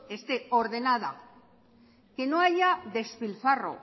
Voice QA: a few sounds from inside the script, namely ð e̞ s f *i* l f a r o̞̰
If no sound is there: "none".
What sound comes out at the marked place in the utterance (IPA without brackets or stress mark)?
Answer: i